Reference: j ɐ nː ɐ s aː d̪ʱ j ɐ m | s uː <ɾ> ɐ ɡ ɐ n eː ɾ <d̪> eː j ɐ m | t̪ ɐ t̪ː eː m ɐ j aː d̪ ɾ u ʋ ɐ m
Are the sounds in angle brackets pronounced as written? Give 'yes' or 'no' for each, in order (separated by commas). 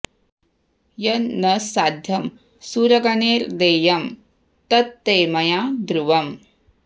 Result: yes, yes